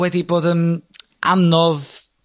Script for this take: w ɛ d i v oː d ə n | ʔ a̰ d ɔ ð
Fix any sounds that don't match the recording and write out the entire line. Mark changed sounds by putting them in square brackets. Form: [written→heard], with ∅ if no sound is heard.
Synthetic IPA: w ɛ d i [v→b] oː d ə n | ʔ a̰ [d→n] ɔ ð